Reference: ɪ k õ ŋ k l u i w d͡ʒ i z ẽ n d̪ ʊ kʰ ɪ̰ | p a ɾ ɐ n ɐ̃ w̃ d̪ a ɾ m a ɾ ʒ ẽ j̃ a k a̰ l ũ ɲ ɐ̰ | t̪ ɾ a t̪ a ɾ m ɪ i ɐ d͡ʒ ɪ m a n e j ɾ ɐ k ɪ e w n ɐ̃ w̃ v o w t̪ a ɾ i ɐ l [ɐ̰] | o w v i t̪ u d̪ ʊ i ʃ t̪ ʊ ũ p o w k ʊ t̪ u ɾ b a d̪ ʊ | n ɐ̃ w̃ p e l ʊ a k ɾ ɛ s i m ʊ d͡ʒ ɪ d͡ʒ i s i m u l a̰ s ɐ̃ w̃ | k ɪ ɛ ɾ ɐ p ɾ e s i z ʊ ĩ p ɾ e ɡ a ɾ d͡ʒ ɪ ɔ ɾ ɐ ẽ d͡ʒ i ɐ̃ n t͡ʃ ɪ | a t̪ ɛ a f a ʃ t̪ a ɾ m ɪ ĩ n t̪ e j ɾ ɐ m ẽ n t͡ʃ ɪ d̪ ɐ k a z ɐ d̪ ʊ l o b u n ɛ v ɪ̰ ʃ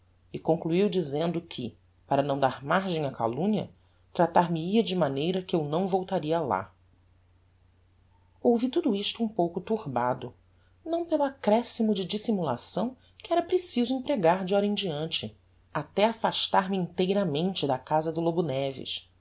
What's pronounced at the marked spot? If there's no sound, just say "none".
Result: a̰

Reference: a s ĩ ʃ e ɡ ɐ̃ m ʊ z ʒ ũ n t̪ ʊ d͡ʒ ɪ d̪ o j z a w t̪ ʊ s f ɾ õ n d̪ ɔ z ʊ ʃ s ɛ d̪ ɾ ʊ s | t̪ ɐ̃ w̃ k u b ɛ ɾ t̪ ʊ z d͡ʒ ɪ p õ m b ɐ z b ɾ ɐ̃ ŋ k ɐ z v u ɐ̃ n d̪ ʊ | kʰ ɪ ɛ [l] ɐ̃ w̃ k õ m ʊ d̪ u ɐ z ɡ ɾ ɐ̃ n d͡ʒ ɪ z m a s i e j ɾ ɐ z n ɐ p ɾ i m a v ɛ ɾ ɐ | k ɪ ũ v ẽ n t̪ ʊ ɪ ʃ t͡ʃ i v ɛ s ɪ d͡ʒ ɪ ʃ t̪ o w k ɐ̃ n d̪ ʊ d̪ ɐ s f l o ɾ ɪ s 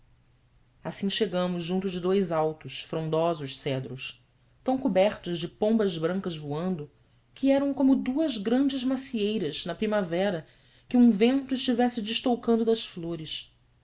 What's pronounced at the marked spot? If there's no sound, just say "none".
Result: ɾ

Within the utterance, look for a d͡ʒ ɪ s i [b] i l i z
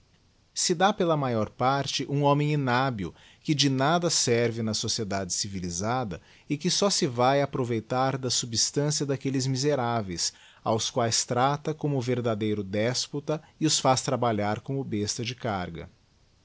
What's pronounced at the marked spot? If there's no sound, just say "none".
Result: v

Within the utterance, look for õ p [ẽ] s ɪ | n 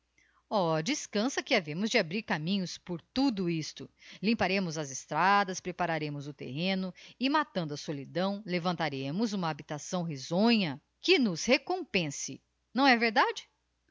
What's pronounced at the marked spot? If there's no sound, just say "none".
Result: ẽ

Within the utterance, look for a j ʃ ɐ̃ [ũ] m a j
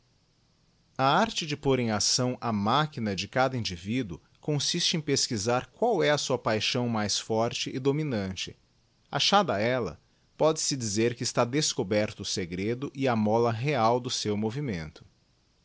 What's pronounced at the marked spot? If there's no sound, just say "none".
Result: w̃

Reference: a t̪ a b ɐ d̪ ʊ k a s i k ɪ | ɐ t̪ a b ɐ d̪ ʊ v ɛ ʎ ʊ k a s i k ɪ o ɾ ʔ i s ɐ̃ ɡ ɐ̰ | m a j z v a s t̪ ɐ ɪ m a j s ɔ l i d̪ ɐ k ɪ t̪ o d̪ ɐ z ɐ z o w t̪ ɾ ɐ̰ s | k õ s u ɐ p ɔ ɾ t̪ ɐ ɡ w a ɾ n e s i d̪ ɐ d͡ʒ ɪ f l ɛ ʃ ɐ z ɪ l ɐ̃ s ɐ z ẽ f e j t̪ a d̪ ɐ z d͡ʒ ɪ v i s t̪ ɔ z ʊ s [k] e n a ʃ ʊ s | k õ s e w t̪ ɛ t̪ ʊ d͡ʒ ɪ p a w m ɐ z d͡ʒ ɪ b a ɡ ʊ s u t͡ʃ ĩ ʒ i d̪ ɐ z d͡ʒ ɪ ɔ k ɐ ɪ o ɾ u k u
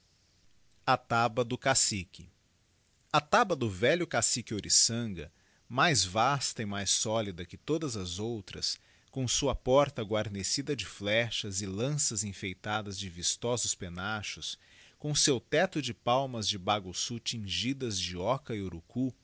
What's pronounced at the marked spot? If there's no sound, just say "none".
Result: p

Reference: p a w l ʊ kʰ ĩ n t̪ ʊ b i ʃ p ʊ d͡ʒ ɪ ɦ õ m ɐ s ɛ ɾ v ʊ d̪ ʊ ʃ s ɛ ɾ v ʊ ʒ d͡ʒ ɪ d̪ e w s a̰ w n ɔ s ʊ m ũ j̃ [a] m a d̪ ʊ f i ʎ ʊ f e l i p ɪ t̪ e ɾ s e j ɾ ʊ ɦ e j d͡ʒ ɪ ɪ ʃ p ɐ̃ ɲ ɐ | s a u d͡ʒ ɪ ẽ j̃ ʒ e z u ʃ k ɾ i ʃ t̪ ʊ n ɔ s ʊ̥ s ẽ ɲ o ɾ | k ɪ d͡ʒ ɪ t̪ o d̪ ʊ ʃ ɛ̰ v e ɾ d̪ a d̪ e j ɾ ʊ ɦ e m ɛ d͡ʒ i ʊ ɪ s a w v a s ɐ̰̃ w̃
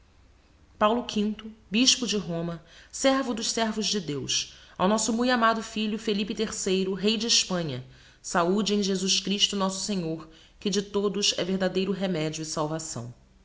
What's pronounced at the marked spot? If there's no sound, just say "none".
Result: a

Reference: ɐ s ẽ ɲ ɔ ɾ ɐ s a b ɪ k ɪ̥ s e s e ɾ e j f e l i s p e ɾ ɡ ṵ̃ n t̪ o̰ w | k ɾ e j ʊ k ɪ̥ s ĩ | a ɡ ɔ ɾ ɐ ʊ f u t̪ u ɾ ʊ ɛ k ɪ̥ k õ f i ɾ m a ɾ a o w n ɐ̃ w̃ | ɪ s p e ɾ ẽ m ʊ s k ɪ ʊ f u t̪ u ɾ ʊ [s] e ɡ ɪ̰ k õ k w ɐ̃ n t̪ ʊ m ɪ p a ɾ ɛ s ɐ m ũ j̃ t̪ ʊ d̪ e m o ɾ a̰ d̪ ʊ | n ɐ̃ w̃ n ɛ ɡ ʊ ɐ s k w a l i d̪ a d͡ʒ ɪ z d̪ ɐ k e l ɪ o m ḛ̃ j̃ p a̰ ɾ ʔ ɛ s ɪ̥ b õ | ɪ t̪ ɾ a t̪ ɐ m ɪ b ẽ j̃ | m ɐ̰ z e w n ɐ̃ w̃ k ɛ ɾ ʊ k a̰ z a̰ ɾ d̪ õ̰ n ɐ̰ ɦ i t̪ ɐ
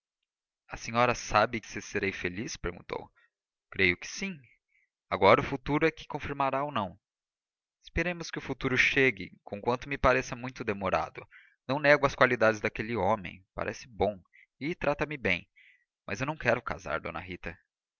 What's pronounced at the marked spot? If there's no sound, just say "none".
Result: ʃ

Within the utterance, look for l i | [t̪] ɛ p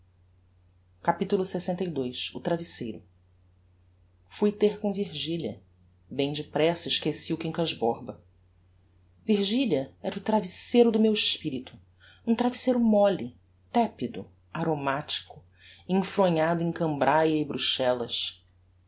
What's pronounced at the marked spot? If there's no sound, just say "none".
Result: t̪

